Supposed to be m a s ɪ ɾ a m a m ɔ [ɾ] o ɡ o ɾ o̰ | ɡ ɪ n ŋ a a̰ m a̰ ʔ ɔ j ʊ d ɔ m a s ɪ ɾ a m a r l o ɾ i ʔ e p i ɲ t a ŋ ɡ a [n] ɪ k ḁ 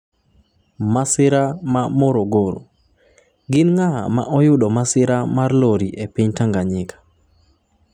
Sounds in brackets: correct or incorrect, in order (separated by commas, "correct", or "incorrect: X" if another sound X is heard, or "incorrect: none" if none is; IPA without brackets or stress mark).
correct, incorrect: ɲ